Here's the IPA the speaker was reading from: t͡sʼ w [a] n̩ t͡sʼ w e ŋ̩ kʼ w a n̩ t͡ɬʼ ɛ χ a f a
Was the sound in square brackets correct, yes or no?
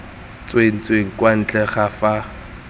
no